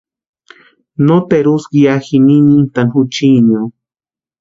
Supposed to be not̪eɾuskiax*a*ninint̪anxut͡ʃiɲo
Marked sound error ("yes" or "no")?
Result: yes